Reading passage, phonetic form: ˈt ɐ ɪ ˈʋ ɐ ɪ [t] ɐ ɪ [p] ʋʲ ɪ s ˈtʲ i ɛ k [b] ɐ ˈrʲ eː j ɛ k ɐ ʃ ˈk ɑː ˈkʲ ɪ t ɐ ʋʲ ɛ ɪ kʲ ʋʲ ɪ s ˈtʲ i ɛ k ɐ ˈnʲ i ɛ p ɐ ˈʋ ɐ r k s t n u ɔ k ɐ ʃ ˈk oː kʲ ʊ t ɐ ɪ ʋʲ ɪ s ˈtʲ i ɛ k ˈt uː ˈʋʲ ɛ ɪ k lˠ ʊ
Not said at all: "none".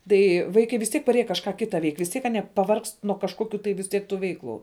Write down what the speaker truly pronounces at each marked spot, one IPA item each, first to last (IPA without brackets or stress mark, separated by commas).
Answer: k, none, p